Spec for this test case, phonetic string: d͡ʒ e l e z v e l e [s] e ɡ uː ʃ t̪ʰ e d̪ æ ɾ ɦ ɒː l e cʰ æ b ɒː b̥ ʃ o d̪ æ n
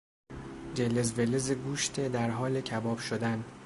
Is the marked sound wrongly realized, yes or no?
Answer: yes